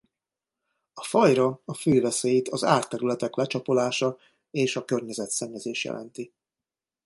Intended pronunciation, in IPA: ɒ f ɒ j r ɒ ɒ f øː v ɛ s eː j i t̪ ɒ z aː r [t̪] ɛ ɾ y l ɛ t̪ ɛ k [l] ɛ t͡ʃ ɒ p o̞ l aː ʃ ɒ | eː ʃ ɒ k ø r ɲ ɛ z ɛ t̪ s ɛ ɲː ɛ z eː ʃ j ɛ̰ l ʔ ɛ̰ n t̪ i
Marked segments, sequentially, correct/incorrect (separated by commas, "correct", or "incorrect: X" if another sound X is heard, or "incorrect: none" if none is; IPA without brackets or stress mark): correct, correct